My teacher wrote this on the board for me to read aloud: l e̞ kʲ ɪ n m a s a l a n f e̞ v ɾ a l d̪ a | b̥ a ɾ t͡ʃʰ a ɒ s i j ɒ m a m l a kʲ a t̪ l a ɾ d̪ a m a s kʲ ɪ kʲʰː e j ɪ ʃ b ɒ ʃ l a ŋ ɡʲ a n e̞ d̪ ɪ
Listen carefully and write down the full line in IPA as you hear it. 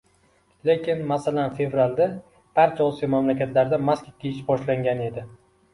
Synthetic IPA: l e̞ kʲ ɪ n m a s a l a n f e̞ v ɾ a l d̪ a | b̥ a ɾ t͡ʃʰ a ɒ s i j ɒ m a m l a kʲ a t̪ l a ɾ d̪ a m a s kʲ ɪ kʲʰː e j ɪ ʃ b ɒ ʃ l a ŋ ɡʲ a n e̞ d̪ ɪ